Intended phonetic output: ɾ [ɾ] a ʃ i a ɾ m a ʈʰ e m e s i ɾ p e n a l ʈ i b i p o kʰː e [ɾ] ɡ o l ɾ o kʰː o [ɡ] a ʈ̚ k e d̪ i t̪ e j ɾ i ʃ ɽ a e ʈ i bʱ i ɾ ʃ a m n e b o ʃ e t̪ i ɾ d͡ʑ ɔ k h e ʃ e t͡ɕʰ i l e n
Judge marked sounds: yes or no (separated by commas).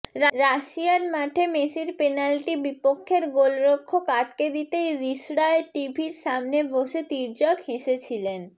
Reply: yes, yes, no